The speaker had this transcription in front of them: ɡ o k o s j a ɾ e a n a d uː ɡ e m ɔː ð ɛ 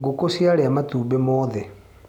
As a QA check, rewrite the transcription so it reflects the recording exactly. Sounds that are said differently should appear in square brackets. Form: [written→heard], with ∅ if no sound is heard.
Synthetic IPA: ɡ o k o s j a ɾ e a [n→m] a [d→t] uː [ɡ→b] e m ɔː ð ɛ